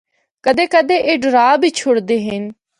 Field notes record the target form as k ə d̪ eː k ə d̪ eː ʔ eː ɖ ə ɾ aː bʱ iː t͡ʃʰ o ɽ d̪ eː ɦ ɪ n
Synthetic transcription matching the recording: k ə d̪ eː k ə d̪ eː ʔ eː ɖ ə ɾ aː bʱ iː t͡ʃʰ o ɽ d̪ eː ɦ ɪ n